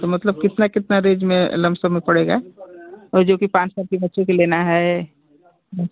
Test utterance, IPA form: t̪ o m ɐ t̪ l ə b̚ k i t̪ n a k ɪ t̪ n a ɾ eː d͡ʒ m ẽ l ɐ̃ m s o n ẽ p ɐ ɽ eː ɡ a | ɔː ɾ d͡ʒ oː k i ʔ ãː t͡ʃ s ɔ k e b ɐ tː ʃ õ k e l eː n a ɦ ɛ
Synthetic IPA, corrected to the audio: t̪ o m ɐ t̪ l ə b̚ k ɪ t̪ n a k ɪ t̪ n a ɾ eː d͡ʒ m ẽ l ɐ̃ m s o m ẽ p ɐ ɽ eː ɡ a | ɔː ɾ d͡ʒ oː k i p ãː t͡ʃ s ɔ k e b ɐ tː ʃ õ k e l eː n a ɦ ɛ